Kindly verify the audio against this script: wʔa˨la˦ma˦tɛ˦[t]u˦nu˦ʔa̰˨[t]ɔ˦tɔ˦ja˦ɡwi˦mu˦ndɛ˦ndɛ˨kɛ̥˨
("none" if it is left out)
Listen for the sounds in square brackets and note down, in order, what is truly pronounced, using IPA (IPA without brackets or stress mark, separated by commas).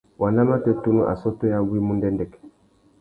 t, s